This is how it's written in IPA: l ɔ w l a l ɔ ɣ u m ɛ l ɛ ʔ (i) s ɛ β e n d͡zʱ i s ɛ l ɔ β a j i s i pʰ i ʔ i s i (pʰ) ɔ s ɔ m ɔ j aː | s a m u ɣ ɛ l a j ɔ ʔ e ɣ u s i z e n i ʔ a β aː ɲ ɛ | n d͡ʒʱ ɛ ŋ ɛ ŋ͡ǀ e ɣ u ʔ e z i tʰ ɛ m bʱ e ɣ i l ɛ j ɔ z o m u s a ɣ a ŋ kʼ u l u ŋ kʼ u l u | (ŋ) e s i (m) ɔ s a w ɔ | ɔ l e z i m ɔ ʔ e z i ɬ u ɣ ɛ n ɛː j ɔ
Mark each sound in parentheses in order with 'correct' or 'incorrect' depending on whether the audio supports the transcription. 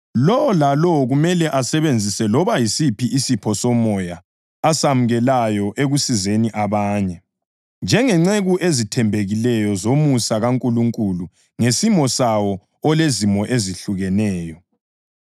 incorrect: a, correct, correct, correct

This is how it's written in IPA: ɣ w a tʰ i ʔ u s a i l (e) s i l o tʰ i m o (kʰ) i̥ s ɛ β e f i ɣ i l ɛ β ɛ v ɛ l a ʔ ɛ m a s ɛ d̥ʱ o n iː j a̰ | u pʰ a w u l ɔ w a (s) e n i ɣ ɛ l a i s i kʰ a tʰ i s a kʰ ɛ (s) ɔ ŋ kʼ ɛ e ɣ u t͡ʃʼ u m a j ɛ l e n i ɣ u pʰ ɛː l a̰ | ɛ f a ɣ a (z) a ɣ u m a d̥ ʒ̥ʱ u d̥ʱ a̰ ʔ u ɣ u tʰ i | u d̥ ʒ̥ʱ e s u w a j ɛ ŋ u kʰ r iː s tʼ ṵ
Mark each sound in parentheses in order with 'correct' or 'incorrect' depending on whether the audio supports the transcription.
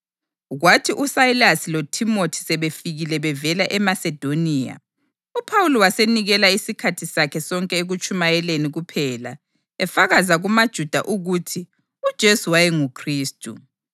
incorrect: a, incorrect: tʰ, correct, correct, correct

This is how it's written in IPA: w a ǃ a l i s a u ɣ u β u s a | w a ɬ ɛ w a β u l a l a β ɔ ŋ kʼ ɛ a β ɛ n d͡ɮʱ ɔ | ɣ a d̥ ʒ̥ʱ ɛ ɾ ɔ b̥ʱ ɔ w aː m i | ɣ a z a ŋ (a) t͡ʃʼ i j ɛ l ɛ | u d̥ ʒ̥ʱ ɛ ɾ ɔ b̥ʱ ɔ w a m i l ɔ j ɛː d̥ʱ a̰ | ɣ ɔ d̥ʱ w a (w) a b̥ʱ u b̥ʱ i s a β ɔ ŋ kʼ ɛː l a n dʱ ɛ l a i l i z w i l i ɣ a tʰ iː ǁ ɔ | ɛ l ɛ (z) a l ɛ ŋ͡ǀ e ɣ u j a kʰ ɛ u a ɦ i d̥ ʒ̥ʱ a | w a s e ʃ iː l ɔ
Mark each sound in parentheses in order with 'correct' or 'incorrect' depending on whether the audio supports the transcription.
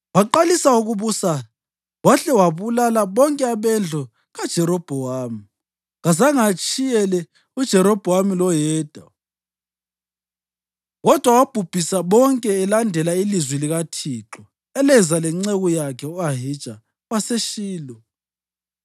correct, correct, correct

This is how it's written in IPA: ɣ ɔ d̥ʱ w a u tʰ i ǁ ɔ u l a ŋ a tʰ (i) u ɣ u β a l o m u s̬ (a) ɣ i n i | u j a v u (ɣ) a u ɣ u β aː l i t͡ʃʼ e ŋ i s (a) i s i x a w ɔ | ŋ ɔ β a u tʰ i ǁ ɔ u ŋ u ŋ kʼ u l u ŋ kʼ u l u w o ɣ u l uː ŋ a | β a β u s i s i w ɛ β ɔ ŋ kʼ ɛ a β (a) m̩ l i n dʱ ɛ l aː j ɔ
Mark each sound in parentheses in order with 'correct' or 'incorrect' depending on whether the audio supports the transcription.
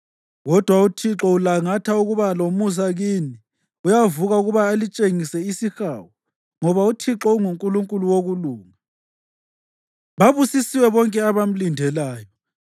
incorrect: a, correct, correct, incorrect: ɛ, correct

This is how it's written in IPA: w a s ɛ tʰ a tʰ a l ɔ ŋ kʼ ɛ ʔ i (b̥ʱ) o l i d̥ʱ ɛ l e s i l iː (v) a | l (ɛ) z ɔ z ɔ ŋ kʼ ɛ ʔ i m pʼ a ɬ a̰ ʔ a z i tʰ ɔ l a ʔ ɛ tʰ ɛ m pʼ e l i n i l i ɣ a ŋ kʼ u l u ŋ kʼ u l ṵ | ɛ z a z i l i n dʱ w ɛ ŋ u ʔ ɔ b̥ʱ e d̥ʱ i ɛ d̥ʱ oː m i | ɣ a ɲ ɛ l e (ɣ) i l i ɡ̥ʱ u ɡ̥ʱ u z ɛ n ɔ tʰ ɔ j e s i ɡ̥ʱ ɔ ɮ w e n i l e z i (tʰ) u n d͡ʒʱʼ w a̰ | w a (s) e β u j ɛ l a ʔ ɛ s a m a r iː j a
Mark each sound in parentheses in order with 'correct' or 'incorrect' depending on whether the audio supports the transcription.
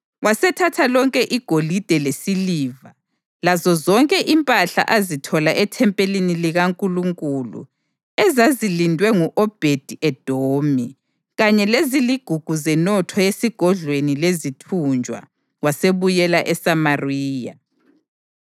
incorrect: ɡ̥ʱ, correct, incorrect: a, incorrect: z, correct, correct

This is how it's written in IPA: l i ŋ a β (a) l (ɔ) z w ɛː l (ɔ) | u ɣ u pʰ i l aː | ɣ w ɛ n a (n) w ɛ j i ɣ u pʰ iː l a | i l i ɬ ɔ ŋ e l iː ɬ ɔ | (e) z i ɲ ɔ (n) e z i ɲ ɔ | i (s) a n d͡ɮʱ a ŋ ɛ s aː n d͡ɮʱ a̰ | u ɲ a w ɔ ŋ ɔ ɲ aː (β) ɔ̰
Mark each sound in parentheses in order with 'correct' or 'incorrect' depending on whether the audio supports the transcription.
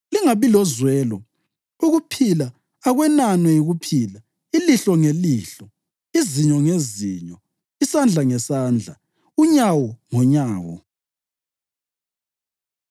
incorrect: i, correct, correct, correct, incorrect: i, incorrect: ŋ, correct, incorrect: w

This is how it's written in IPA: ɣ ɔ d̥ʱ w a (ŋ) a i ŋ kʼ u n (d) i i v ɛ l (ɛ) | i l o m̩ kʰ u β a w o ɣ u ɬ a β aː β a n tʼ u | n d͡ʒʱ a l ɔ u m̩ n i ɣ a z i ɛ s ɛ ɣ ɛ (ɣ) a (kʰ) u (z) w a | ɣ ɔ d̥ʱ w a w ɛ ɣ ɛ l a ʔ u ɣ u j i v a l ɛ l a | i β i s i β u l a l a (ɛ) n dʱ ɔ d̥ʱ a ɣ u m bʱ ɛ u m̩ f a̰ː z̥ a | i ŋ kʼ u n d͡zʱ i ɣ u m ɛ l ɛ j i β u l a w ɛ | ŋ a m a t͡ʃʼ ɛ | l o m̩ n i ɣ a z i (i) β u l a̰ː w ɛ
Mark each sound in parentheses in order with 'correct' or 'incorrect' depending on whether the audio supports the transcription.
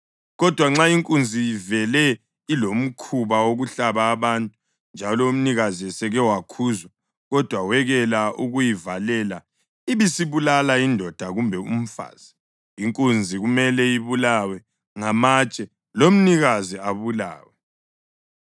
incorrect: ŋ͡ǁ, incorrect: d͡zʱ, correct, incorrect: w, correct, correct, incorrect: i, incorrect: a

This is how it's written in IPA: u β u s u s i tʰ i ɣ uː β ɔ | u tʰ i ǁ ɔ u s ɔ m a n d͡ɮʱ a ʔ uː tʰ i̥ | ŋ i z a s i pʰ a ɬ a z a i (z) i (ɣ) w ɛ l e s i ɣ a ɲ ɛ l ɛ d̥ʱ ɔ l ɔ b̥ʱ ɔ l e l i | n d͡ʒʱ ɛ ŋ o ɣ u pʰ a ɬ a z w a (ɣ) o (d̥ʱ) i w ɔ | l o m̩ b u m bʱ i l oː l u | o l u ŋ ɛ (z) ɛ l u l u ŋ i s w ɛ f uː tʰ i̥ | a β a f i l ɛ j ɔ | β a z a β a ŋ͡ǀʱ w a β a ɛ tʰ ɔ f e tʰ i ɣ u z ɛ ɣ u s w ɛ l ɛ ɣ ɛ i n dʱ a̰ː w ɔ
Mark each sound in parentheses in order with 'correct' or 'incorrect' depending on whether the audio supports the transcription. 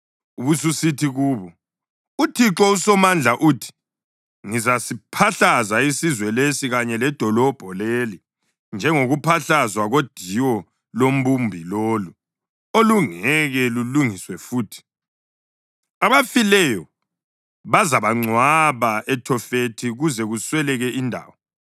incorrect: s, incorrect: z, correct, correct, incorrect: ɣ

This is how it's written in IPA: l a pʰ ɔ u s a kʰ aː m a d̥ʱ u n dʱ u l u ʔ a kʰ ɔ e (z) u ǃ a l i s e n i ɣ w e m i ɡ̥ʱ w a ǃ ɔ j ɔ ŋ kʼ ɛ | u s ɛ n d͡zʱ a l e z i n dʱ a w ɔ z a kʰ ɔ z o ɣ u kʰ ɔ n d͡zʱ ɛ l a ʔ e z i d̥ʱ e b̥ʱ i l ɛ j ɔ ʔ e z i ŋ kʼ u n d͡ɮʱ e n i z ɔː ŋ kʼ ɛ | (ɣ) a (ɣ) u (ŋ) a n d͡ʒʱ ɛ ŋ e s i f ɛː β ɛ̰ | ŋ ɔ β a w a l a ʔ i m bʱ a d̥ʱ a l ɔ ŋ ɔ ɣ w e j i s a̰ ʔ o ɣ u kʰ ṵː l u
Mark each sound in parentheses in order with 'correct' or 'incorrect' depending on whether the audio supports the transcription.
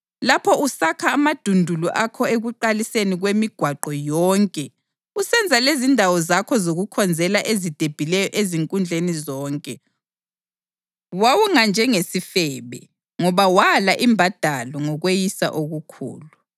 incorrect: ɣ, incorrect: w, incorrect: w, correct

